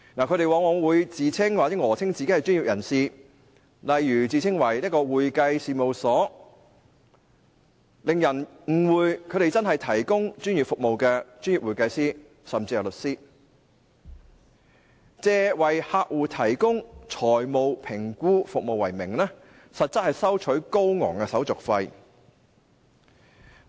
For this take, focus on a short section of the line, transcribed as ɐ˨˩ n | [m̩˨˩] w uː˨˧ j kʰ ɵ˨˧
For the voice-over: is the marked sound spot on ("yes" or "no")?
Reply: no